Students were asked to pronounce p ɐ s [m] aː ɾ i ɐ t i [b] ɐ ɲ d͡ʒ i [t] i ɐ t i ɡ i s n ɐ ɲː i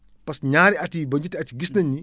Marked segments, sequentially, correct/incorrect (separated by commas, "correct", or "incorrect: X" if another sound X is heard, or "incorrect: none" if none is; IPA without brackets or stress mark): incorrect: ɲ, correct, correct